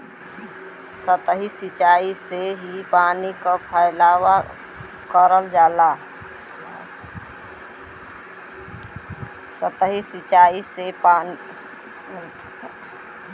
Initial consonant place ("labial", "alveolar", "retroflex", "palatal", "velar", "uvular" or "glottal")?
alveolar